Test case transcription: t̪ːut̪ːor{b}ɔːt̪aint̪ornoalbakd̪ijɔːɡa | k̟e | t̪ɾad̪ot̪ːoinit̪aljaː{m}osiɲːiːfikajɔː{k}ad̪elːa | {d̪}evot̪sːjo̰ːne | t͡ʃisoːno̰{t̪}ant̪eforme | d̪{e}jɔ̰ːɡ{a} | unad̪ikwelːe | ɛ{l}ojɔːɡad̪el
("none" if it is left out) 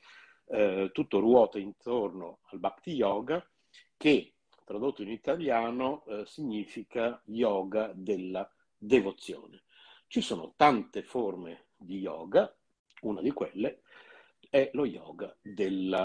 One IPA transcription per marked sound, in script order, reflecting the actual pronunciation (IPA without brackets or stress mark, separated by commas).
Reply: w, n, ɡ, d̪, t̪, i, a, l